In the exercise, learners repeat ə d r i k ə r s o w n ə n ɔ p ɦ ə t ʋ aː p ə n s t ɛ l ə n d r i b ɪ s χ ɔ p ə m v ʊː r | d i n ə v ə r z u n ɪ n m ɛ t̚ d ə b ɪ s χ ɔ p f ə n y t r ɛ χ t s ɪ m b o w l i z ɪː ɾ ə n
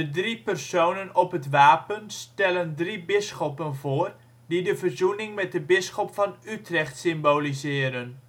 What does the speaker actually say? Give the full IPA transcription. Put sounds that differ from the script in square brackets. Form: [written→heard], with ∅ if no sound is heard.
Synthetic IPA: ə d r i [k→p] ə r s o w n ə n ɔ p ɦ ə t ʋ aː p ə n s t ɛ l ə n d r i b ɪ s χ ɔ p ə [m→n] v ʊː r | d i [n→d] ə v ə r z u n ɪ [n→ŋ] m ɛ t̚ d ə b ɪ s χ ɔ p f [ə→ɑ] n y t r ɛ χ t s ɪ m b o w l i z ɪː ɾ ə n

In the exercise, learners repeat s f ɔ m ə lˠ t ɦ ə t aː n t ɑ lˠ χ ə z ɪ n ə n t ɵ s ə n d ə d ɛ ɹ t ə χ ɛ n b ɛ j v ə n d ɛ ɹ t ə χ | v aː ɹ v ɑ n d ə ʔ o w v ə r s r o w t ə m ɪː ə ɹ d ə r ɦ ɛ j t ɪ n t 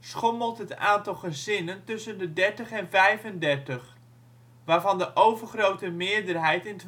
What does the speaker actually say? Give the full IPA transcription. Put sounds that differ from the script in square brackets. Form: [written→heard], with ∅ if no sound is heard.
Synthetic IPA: s [f→χ] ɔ m ə lˠ t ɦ ə t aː n t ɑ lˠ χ ə z ɪ n ə n t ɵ s ə n d ə d ɛ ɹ t ə χ ɛ n [b→v] ɛ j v ə n d ɛ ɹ t ə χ | [v→ʋ] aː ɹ v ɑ n d ə ʔ o w v ə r [s→χ] r o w t ə m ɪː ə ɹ d ə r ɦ ɛ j t ɪ n t

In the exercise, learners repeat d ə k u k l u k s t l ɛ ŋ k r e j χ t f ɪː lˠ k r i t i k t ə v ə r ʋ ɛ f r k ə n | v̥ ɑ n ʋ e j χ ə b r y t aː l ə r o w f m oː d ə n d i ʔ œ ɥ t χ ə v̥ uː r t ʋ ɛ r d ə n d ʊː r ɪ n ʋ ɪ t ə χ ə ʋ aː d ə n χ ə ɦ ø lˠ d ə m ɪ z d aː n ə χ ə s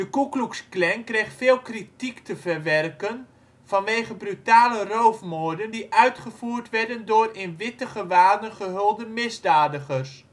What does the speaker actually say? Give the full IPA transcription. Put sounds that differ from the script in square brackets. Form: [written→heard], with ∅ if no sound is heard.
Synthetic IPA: d ə k u k l u k s [t→k] l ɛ ŋ k r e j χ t f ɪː lˠ k r i t i k t ə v ə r ʋ ɛ [f→∅] r k ə n | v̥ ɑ n ʋ e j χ ə b r y t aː l ə r o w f m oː d ə n d i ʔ œ ɥ t χ ə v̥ uː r t ʋ ɛ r d ə n d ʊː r ɪ n ʋ ɪ t ə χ ə ʋ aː d ə n χ ə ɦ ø lˠ d ə m ɪ z d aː [n→d] ə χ ə s

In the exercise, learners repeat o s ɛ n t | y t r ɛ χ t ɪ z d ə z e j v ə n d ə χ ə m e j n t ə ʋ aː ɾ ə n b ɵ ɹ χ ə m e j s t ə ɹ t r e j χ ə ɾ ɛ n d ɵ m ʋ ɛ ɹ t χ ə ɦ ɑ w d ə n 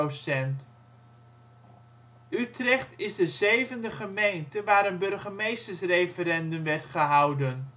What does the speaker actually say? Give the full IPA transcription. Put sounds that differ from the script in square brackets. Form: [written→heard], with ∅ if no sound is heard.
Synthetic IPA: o s ɛ n t | y t r ɛ χ t ɪ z d ə z e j v ə n d ə χ ə m e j n t ə ʋ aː ɾ ə n b ɵ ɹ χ ə m e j s t ə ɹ [t→s] r e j [χ→f] ə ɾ ɛ n d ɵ m ʋ ɛ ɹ t χ ə ɦ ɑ w d ə n

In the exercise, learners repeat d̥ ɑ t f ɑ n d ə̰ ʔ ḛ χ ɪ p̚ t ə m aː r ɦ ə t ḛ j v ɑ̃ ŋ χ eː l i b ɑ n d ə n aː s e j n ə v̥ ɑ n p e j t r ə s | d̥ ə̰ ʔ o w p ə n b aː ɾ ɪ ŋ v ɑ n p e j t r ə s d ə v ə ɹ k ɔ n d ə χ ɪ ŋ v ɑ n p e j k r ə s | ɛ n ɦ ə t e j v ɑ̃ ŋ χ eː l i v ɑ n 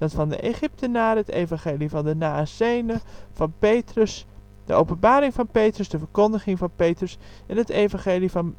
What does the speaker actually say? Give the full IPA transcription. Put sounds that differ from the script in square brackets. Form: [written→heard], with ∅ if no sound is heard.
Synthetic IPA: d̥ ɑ t f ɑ n d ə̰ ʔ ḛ χ ɪ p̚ t ə [m→n] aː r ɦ ə t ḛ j v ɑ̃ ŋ χ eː l i [b→v] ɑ n d ə n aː s e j n ə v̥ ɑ n p e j t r ə s | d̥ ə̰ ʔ o w p ə n b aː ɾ ɪ ŋ v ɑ n p e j t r ə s d ə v ə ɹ k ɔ n d ə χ ɪ ŋ v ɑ n p e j [k→t] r ə s | ɛ n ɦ ə t e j v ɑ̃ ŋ χ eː l i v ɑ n

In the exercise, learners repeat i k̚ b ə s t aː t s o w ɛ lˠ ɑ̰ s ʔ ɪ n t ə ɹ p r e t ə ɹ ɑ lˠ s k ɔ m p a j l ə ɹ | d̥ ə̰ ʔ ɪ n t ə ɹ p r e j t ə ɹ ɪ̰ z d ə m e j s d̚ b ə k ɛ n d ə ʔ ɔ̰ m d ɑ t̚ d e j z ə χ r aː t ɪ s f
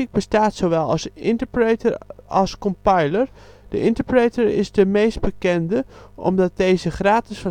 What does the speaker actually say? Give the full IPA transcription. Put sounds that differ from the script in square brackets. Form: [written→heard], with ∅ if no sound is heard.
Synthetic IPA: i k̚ b ə s t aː t s o [w→ʋ] ɛ lˠ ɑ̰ s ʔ ɪ n t ə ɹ p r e t ə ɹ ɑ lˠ s k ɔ m p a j l ə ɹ | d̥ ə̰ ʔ ɪ n t ə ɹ p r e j t ə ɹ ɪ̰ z d ə m e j s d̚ b ə k ɛ n d ə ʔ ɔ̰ m d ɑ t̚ d e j z ə χ r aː t ɪ s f

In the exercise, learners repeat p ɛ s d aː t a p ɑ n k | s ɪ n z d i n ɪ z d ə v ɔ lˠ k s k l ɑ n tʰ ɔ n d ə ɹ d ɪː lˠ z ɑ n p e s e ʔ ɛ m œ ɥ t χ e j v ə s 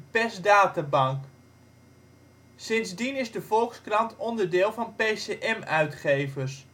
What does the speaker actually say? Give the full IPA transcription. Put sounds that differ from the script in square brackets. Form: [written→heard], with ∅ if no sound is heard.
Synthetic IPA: p ɛ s d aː t a [p→b] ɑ [n→ŋ] k | s ɪ n z d i n ɪ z d ə v ɔ lˠ k s k [l→r] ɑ n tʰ ɔ n d ə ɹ d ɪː lˠ [z→v] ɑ n p e s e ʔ ɛ m œ ɥ t χ e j v ə s

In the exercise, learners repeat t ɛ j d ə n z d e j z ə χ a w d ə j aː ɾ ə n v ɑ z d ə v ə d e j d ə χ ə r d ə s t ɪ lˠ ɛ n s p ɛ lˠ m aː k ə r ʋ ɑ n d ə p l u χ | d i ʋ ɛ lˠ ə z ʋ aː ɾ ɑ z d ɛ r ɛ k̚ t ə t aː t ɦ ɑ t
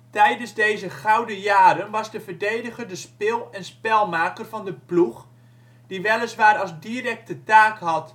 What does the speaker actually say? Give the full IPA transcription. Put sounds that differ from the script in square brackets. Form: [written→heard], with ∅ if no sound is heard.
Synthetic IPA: t ɛ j d ə n z d e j z ə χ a w d ə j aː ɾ ə n [v→ʋ] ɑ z d ə v ə d e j d ə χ ə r d ə s [t→p] ɪ lˠ ɛ n s p ɛ lˠ m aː k ə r [ʋ→v] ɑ n d ə p l u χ | d i ʋ ɛ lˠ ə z ʋ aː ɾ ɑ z d [ɛ→i] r ɛ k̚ t ə t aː [t→k] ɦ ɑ t

